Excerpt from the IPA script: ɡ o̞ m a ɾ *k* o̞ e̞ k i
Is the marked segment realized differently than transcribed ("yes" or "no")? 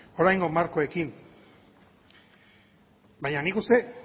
no